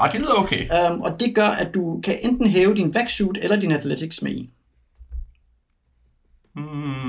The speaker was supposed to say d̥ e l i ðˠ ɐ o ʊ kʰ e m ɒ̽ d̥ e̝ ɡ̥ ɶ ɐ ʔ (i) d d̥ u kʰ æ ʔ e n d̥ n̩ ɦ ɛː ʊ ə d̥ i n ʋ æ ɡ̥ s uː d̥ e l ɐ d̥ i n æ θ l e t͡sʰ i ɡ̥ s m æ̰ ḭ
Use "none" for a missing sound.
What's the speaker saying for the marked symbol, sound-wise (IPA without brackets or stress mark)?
æ